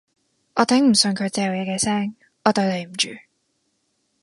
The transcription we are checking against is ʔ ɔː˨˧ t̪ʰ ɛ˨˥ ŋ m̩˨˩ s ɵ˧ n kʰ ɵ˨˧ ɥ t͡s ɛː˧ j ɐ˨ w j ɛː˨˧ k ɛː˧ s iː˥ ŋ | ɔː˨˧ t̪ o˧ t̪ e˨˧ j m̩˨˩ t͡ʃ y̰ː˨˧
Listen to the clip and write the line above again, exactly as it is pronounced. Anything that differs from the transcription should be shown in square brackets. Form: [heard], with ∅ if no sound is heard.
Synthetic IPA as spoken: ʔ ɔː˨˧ t̪ʰ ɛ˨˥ ŋ m̩˨˩ s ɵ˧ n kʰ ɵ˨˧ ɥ t͡s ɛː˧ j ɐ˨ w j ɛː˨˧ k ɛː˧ s [ɛː˥] ŋ | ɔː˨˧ t̪ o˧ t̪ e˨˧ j m̩˨˩ t͡ʃ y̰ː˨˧